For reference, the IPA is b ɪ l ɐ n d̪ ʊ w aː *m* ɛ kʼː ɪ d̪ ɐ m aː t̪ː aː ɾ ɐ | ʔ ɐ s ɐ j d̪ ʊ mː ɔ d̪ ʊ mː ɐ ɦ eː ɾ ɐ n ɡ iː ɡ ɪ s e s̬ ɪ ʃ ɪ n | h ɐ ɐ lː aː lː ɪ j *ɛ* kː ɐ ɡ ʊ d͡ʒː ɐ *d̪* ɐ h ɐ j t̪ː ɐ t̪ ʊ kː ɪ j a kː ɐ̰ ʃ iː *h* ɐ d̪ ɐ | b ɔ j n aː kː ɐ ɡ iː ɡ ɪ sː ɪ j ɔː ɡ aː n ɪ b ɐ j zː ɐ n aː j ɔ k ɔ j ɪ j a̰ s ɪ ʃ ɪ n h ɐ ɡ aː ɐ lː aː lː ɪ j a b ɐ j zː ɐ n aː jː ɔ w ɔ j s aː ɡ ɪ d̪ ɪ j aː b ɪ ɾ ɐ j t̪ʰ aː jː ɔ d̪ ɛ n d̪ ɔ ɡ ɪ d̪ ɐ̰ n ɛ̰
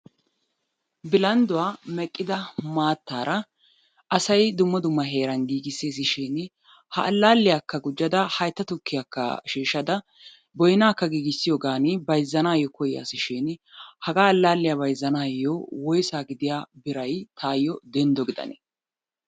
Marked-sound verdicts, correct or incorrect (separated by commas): correct, incorrect, correct, incorrect